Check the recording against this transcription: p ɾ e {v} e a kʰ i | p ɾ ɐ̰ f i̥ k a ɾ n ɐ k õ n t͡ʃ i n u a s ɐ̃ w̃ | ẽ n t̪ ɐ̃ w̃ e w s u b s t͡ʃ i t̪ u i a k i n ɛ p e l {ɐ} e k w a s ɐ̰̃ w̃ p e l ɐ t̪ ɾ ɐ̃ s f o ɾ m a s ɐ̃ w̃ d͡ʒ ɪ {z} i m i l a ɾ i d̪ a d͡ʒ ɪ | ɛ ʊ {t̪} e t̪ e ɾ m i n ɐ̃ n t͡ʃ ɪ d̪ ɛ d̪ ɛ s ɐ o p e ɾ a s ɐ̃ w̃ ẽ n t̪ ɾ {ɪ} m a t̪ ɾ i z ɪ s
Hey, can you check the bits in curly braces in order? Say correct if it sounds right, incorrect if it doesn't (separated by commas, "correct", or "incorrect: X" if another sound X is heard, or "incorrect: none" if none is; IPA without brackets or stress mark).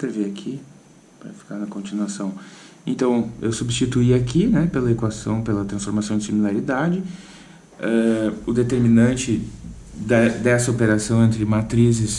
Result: correct, correct, incorrect: s, incorrect: d̪, correct